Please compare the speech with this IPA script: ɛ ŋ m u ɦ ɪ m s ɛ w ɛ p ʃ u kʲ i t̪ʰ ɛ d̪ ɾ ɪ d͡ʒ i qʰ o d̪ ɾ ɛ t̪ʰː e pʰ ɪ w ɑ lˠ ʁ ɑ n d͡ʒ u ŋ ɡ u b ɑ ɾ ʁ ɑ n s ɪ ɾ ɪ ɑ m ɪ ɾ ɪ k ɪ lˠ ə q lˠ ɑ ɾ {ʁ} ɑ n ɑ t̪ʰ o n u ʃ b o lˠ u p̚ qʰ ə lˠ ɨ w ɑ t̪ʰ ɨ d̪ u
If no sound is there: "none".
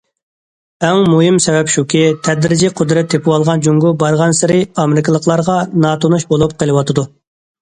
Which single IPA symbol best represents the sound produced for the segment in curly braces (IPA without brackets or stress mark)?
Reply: ʁ